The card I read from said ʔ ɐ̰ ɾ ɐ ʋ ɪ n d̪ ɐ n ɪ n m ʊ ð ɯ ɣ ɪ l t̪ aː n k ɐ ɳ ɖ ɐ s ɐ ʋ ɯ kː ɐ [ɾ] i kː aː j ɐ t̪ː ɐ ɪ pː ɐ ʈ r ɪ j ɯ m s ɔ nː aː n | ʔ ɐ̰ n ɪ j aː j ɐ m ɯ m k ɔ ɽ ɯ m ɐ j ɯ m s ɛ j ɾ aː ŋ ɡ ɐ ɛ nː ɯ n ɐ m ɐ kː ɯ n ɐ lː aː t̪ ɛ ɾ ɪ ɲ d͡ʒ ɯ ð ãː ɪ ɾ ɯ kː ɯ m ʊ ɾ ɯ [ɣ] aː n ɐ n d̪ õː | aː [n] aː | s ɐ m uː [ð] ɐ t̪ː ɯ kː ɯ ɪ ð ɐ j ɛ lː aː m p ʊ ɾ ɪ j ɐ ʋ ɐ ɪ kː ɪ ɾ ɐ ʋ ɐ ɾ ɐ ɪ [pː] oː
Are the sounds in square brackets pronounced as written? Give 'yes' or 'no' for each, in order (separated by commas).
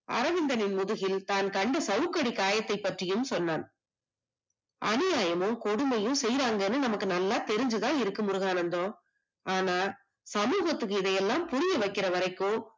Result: no, yes, yes, no, no